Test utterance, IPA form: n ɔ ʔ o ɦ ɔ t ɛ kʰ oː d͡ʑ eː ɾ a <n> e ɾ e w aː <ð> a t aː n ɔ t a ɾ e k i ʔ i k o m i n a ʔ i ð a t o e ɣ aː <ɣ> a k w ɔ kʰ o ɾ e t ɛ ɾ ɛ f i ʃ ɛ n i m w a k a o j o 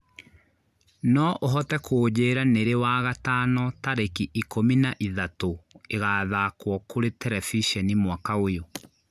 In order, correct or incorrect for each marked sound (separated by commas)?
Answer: correct, incorrect, incorrect